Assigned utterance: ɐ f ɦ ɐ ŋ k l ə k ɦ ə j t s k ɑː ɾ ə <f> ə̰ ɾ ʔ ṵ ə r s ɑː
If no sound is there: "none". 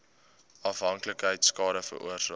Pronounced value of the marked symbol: f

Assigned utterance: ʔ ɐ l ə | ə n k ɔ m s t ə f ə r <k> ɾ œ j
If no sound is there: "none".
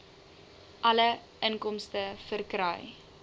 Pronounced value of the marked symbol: k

